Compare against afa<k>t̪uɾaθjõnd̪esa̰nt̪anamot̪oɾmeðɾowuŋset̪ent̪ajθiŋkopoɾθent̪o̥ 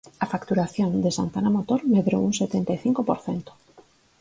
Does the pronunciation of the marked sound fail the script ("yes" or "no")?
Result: no